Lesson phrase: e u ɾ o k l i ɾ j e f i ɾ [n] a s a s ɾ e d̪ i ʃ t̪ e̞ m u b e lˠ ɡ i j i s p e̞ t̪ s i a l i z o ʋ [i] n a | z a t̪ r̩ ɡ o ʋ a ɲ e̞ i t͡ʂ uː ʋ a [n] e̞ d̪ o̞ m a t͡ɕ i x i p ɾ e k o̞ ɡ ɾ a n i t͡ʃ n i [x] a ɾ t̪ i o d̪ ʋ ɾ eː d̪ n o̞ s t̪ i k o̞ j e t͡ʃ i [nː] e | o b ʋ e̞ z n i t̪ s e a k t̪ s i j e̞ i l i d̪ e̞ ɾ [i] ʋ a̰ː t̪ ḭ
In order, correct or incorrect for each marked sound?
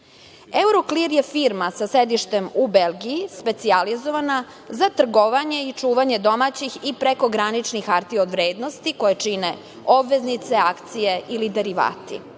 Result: incorrect: m, incorrect: a, incorrect: ɲ, correct, incorrect: n, correct

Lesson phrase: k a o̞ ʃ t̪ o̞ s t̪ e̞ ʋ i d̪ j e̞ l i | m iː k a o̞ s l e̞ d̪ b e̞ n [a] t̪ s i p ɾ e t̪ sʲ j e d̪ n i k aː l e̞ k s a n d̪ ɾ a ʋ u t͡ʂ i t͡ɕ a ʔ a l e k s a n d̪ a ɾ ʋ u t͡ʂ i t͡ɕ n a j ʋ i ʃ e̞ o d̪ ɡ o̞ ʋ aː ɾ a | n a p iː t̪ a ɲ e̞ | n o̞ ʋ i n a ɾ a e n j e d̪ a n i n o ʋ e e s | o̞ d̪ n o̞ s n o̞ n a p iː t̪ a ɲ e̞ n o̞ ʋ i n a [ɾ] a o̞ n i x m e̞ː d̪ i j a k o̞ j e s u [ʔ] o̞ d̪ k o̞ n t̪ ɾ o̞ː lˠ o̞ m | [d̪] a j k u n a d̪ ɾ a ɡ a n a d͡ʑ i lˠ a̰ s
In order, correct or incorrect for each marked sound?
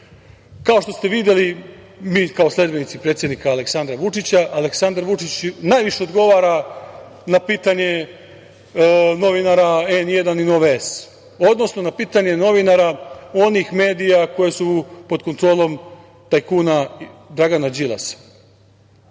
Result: incorrect: i, correct, incorrect: p, incorrect: t̪

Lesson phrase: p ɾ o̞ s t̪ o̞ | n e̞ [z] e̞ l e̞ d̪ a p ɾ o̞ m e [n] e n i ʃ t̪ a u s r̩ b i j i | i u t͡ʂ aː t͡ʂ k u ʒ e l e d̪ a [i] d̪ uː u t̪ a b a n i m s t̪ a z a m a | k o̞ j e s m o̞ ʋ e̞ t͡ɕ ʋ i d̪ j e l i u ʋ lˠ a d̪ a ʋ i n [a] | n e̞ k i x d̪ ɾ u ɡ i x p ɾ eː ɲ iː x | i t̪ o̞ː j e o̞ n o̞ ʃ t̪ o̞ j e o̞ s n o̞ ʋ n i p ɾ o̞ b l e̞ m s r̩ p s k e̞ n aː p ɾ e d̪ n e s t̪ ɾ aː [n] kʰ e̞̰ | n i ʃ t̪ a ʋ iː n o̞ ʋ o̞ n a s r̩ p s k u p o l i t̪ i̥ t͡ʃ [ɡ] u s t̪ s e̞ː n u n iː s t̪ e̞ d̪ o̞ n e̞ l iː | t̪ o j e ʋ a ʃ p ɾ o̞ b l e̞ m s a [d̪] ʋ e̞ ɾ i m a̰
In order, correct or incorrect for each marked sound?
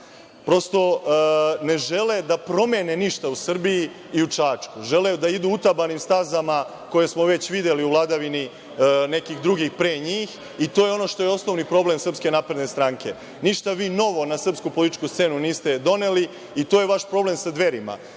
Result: incorrect: ʒ, correct, correct, incorrect: i, incorrect: ŋ, incorrect: k, correct

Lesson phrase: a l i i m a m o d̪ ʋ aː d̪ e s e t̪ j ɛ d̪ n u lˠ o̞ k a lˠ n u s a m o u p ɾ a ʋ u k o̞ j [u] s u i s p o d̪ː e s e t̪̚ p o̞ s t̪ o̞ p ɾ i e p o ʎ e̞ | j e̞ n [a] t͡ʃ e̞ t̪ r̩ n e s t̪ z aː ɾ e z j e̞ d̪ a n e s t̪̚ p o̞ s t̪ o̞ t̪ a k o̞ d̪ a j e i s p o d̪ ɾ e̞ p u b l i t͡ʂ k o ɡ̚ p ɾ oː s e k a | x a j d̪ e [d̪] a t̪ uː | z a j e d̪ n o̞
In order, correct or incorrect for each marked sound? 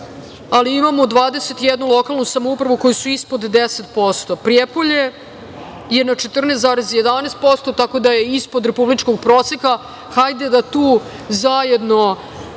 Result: correct, correct, correct

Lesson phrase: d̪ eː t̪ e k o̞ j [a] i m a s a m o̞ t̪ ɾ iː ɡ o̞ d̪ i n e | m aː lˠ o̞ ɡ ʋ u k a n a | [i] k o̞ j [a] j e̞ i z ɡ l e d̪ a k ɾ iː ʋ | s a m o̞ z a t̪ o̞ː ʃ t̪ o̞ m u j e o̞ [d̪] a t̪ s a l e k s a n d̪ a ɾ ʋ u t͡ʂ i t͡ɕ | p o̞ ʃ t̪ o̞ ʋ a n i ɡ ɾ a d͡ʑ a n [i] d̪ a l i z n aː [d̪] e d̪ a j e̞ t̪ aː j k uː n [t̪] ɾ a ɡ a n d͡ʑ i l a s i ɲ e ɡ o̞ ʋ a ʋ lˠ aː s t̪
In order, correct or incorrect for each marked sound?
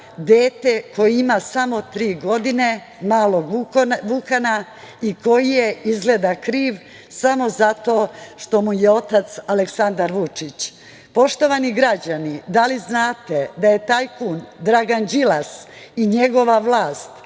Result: incorrect: i, correct, incorrect: i, incorrect: t̪, correct, incorrect: t̪, incorrect: d̪

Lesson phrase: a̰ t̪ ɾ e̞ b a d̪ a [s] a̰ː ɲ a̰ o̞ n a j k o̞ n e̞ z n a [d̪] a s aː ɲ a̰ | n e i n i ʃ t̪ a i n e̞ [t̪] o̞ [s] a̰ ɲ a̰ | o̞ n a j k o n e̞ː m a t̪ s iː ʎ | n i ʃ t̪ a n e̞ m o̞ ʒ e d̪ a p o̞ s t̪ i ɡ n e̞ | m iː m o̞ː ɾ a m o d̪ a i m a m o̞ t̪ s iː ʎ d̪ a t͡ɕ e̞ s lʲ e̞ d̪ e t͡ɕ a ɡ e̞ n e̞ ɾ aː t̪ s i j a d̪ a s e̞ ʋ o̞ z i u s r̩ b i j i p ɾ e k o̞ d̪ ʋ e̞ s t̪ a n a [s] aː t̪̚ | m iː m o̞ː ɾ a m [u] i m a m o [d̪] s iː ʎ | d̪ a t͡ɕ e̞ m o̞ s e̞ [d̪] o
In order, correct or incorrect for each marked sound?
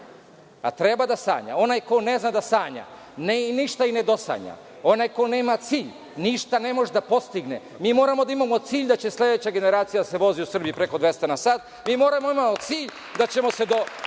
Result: correct, correct, incorrect: d̪, correct, correct, incorrect: o, incorrect: t̪, correct

